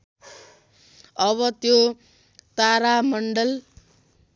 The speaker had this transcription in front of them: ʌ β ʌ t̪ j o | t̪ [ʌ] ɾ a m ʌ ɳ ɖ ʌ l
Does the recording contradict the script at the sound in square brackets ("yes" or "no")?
yes